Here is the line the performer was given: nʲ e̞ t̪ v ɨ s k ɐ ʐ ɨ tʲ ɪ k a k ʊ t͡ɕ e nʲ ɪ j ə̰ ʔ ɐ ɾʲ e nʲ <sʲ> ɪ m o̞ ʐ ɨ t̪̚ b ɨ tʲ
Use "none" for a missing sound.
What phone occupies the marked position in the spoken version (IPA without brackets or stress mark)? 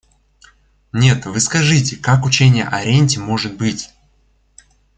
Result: tʲ